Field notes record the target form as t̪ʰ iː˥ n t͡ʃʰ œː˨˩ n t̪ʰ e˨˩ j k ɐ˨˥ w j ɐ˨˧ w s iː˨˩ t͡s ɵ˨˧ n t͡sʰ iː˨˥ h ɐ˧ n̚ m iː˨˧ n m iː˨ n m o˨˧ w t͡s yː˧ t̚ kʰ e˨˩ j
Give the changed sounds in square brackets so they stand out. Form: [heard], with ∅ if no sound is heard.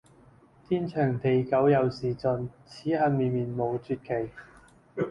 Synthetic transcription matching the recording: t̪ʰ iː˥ n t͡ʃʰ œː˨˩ [ŋ] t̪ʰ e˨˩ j k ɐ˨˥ w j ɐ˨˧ w s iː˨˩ t͡s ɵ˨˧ n t͡sʰ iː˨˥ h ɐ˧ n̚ m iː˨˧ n m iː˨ n m o˨˧ w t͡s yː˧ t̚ kʰ e˨˩ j